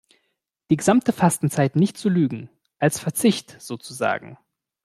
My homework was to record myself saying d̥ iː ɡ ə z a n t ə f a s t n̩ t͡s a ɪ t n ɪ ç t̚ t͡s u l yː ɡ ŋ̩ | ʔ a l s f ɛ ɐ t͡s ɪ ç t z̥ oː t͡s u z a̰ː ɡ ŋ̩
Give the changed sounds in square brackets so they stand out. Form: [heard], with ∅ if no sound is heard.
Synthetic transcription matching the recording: d̥ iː ɡ ə z a [m] t ə f a s t n̩ t͡s a ɪ t n ɪ ç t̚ t͡s u l yː ɡ ŋ̩ | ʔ a l s f ɛ ɐ t͡s ɪ ç t z̥ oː t͡s u z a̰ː ɡ ŋ̩